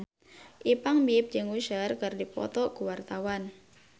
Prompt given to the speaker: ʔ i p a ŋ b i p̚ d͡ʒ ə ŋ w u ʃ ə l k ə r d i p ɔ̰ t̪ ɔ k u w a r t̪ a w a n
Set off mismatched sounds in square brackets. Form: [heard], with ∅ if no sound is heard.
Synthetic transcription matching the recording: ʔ i p a ŋ b i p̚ d͡ʒ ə ŋ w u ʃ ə [r] k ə r d i p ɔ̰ t̪ ɔ k u w a r t̪ a w a n